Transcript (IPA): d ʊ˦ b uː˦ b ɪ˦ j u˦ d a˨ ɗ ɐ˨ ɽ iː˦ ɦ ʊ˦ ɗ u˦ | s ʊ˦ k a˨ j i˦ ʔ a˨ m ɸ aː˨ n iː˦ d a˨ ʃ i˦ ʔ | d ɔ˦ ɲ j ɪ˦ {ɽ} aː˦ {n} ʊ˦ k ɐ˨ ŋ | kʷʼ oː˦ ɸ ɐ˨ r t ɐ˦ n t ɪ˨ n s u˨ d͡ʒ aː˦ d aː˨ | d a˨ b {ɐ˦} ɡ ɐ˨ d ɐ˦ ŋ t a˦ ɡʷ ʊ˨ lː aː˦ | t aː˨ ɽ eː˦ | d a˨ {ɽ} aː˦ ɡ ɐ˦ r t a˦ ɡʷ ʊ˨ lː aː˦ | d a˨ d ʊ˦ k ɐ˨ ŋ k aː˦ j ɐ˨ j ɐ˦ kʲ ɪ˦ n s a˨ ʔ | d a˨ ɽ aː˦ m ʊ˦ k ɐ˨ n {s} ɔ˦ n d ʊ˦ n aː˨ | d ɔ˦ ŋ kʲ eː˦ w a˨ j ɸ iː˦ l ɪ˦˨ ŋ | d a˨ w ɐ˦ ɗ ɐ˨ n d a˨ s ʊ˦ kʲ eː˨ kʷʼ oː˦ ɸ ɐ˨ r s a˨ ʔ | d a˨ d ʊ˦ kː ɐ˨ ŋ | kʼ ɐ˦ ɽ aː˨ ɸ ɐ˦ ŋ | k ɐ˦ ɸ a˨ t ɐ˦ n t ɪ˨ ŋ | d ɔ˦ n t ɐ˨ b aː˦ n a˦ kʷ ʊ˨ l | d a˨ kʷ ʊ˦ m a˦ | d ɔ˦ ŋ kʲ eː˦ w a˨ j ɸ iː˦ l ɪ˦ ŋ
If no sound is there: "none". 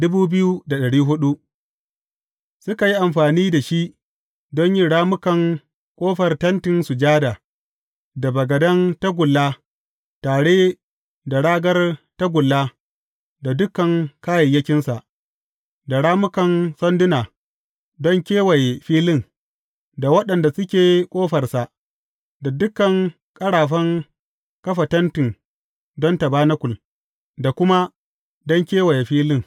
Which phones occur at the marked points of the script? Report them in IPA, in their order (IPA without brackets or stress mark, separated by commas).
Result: ɽ, m, ɐ˨, ɽ, s